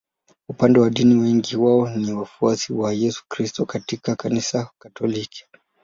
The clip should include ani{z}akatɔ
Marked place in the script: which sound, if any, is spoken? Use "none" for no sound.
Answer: s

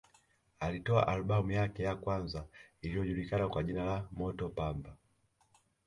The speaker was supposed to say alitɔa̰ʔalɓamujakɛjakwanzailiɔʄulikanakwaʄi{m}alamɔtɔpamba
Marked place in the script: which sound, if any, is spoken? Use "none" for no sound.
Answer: n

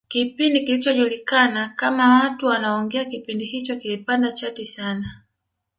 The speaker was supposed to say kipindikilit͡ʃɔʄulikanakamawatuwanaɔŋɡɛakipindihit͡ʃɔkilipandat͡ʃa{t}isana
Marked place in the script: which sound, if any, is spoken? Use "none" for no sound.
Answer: t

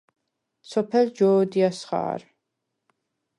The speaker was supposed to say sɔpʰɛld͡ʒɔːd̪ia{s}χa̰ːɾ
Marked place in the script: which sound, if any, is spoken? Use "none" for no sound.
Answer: s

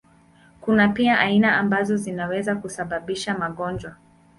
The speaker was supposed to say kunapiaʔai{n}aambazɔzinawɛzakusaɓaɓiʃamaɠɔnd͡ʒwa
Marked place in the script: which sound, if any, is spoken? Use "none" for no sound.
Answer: n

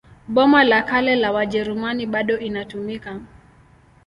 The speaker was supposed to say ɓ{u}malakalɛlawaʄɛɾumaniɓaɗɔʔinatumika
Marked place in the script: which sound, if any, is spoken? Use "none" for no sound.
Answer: ɔ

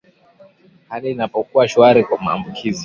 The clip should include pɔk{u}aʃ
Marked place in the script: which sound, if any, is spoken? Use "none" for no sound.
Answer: u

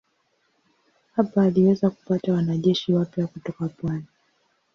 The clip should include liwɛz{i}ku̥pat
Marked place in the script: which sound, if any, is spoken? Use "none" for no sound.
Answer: a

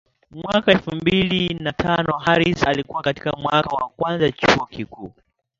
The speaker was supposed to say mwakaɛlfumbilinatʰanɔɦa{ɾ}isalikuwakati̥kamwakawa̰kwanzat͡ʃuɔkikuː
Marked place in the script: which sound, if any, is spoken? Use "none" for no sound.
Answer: ɾ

